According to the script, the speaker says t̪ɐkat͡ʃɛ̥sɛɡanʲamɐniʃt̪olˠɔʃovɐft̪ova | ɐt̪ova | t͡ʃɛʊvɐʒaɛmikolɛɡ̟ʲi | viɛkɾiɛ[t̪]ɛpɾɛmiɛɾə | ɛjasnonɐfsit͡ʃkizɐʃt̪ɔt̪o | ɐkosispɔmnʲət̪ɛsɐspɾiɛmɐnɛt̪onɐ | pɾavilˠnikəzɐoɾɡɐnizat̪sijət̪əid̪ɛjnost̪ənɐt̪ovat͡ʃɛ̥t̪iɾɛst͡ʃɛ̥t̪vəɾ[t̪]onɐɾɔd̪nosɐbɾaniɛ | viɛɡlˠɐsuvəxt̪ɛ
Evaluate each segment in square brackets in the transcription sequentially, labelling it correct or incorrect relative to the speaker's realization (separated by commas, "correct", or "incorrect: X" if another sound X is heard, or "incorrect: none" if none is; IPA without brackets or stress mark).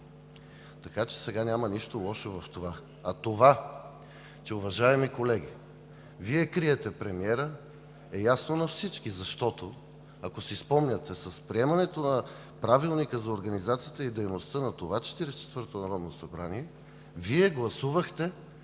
correct, correct